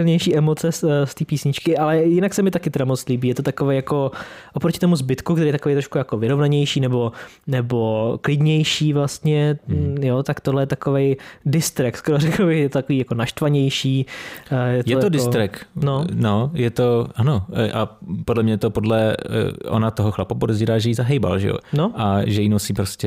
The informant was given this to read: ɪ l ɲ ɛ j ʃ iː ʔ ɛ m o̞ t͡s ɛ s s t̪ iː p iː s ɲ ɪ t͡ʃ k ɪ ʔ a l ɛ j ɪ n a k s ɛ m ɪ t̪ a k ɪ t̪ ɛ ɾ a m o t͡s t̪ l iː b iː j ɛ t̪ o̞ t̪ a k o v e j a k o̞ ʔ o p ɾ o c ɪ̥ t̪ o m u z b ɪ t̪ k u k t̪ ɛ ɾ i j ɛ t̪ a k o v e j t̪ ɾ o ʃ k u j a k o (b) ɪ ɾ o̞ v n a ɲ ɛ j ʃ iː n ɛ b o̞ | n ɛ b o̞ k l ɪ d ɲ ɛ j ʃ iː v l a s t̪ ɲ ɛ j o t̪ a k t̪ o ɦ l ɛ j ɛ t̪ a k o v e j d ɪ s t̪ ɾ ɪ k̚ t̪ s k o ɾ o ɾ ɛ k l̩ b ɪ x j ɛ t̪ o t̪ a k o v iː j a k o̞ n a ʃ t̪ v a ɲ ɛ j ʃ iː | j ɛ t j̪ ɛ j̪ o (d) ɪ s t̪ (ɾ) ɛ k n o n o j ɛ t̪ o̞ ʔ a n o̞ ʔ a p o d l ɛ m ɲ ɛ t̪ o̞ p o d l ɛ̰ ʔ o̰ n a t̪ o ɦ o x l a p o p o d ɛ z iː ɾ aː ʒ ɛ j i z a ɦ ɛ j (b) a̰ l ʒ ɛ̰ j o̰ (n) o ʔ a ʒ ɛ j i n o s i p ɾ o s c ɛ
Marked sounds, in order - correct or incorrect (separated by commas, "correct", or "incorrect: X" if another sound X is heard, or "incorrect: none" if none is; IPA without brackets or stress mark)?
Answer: incorrect: v, correct, correct, correct, correct